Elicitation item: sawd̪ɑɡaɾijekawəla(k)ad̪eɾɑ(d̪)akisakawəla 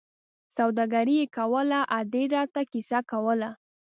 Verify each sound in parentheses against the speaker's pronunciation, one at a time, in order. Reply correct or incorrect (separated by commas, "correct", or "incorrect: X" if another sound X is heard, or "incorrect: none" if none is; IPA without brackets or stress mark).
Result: incorrect: ʔ, incorrect: t̪